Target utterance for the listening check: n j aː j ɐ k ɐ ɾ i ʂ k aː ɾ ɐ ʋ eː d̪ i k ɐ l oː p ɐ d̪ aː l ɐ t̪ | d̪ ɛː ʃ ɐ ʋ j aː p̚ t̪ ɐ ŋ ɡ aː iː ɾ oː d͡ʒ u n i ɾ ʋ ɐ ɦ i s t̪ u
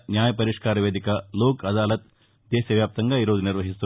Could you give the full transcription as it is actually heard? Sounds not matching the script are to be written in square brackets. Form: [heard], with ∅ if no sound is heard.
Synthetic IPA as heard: n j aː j ɐ [p] ɐ ɾ i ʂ k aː ɾ ɐ ʋ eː d̪ i k ɐ l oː [k] ɐ d̪ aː l ɐ t̪ | d̪ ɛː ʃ ɐ ʋ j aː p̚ t̪ ɐ ŋ ɡ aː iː ɾ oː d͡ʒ u n i ɾ ʋ ɐ ɦ i s t̪ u